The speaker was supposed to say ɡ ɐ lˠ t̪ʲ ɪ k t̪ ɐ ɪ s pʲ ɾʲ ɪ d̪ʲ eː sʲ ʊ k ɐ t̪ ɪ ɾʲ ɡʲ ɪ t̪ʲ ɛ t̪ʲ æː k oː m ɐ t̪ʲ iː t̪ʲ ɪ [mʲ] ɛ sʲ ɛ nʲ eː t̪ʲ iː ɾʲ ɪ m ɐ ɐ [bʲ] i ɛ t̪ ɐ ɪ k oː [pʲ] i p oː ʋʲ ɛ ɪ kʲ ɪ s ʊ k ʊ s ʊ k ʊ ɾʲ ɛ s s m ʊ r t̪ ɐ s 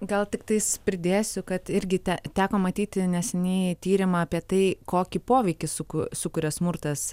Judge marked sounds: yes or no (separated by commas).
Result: no, no, no